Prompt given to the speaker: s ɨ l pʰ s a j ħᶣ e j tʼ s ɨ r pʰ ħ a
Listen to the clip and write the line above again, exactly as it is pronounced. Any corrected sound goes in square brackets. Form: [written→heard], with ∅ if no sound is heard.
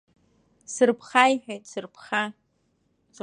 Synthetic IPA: s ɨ [l→r] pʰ [s→χ] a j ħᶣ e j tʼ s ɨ r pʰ [ħ→χ] a